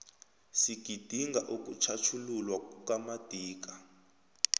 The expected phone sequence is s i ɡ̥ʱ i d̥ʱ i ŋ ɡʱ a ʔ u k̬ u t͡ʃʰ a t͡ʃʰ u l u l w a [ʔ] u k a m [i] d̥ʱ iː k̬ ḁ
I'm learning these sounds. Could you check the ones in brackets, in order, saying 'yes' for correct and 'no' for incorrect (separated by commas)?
no, no